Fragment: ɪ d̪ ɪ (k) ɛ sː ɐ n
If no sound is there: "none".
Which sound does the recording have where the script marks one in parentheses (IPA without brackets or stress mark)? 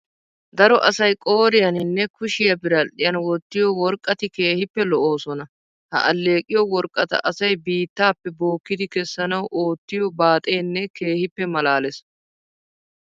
k